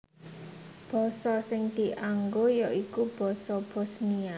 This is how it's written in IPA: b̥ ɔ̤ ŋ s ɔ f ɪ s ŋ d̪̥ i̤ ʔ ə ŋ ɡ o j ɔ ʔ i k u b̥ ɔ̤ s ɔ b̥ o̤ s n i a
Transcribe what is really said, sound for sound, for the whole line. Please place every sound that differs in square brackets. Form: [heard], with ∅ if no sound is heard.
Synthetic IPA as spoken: b̥ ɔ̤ [∅] s ɔ [s] ɪ [∅] ŋ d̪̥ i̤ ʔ [a] ŋ ɡ o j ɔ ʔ i k u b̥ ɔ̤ s ɔ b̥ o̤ s n i a